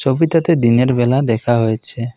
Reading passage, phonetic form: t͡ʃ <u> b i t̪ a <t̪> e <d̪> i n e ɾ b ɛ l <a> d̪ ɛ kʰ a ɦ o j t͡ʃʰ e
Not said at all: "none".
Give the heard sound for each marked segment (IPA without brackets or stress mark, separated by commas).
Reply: o, t̪, d̪, a